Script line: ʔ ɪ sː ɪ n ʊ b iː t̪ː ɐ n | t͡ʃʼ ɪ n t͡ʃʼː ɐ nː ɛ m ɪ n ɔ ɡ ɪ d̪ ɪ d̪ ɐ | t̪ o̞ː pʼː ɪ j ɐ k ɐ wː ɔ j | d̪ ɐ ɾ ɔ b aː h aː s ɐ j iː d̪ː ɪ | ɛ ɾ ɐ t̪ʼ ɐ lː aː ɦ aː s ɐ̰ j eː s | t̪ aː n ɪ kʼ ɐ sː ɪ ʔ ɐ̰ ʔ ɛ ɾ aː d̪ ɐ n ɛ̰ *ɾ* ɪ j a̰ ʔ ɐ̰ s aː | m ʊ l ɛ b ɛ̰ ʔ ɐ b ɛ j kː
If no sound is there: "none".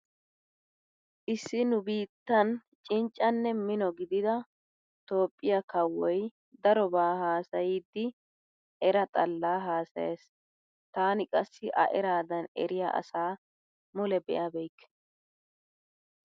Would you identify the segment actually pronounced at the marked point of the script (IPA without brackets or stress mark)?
ɾ